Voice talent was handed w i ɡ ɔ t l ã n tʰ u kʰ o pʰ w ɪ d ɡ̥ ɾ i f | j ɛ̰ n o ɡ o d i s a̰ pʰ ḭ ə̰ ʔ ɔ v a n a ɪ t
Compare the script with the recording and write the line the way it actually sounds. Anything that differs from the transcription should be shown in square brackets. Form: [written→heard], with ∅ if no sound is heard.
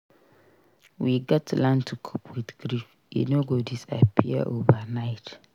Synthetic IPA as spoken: w i ɡ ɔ t l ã n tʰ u kʰ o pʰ w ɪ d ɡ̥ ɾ i f | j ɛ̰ n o ɡ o d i s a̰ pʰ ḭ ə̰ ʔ [ɔ→o] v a n a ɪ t